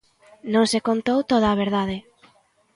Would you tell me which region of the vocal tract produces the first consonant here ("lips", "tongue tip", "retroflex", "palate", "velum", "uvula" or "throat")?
tongue tip